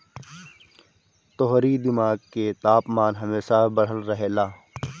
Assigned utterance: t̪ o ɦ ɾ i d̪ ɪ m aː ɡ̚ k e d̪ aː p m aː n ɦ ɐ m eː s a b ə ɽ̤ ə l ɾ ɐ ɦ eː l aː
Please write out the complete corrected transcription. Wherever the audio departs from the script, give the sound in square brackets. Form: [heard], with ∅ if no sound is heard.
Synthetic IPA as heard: t̪ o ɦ ɾ i d̪ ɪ m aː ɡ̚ k e [t̪] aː p m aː n ɦ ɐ m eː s a b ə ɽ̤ ə l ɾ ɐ ɦ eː l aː